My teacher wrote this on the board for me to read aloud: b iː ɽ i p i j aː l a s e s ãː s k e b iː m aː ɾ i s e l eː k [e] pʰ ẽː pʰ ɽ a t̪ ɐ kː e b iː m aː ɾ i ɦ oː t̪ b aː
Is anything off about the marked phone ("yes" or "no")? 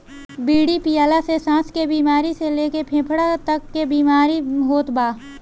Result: no